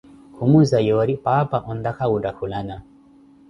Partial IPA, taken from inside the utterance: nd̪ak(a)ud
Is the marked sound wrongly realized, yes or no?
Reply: no